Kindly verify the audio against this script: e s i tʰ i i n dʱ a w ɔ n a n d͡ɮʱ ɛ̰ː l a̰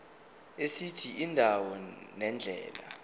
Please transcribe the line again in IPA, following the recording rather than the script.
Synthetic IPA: e s i tʰ i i n dʱ a w ɔ n ɛ n d͡ɮʱ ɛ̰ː l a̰